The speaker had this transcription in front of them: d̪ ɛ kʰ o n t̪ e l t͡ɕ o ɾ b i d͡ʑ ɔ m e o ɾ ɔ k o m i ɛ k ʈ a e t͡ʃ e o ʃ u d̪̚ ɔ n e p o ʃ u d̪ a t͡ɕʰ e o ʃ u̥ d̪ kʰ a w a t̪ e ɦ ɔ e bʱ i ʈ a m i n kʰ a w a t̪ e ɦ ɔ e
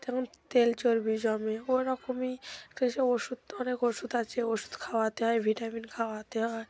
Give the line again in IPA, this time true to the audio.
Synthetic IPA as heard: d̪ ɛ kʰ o n t̪ e l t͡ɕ o ɾ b i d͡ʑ ɔ m e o ɾ ɔ k o m i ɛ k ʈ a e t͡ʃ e o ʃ u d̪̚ ɔ n e k o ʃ u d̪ a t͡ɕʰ e o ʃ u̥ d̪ kʰ a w a t̪ e ɦ ɔ e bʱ i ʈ a m i n kʰ a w a t̪ e ɦ ɔ e